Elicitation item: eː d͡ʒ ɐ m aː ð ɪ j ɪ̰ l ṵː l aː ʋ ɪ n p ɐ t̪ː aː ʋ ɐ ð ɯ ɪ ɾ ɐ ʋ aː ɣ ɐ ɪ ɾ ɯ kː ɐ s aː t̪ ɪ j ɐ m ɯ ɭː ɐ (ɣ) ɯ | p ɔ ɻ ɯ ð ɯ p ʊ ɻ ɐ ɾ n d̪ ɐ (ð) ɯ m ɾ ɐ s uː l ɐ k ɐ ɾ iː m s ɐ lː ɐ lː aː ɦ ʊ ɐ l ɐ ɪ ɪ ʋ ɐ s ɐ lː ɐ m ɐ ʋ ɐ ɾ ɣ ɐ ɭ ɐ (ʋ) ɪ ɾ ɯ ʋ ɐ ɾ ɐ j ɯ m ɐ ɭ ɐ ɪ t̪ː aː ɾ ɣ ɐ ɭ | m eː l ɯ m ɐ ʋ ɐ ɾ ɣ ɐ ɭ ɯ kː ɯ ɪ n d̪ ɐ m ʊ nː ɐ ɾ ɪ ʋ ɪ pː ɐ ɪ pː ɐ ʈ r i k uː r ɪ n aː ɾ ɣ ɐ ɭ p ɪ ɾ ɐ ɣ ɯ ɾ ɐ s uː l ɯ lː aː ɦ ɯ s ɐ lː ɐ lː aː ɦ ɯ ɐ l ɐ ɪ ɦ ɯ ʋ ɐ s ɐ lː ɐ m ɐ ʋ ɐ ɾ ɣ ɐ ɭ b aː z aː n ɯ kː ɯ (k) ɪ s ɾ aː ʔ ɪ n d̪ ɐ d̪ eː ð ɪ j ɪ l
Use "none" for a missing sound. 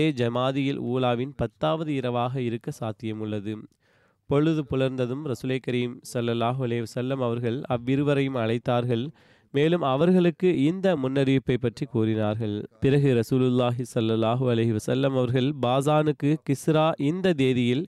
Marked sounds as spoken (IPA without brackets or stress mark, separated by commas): ð, ð, ʋː, k